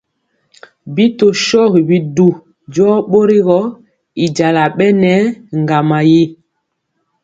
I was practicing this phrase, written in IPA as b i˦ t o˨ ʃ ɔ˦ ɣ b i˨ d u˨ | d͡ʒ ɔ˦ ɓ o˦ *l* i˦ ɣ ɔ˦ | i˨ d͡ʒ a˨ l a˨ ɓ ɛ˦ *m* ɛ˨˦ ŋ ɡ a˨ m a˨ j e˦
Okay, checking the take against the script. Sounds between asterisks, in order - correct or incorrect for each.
incorrect, incorrect

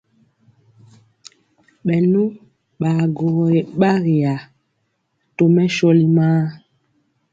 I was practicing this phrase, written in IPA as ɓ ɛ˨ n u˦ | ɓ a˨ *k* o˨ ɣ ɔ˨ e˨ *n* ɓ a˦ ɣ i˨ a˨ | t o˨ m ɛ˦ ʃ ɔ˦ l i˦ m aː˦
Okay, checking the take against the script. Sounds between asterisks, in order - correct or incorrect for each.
incorrect, incorrect

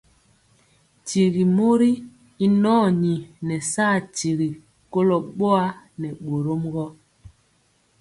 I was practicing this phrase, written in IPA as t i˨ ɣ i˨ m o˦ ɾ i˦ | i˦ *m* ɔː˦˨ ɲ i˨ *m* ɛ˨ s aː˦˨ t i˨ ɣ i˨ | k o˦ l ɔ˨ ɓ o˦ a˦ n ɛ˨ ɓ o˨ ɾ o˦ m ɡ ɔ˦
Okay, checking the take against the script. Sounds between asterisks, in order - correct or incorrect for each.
incorrect, incorrect

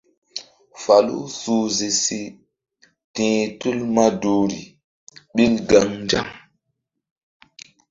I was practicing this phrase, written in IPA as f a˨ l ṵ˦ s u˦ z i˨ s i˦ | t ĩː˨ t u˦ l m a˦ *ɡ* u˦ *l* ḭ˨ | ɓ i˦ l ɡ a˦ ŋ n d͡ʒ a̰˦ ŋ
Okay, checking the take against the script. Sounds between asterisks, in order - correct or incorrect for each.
incorrect, incorrect

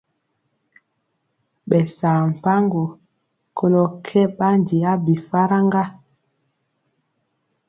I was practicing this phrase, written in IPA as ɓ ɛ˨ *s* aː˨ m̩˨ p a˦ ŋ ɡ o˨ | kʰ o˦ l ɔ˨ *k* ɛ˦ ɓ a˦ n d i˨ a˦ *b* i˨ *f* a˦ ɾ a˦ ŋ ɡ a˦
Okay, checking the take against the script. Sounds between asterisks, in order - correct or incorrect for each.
correct, incorrect, correct, correct

